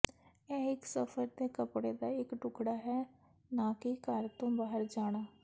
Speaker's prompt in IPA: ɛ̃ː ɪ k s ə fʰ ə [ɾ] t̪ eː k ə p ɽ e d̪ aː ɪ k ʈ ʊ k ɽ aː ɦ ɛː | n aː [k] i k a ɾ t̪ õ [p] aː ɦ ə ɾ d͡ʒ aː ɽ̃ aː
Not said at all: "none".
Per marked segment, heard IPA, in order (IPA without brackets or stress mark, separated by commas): ɾ, k, b